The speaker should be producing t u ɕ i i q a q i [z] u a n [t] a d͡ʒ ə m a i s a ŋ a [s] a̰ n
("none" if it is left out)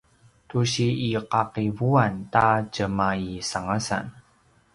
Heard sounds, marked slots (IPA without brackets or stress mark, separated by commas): v, t, s